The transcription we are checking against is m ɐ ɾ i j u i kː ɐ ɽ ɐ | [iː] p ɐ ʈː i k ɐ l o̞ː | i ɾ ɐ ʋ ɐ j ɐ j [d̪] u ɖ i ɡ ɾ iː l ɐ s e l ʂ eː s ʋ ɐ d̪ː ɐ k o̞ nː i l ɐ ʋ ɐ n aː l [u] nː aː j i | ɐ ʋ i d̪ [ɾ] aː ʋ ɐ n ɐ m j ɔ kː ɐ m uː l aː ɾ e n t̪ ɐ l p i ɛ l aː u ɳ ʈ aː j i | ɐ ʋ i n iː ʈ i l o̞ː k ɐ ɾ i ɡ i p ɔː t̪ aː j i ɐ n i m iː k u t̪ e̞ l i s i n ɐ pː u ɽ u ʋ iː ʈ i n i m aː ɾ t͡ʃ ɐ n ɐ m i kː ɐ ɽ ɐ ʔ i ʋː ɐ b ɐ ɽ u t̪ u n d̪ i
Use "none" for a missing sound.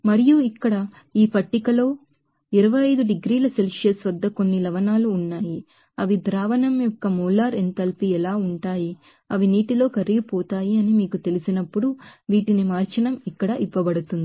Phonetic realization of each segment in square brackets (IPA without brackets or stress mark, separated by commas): iː, d̪, uː, ɾ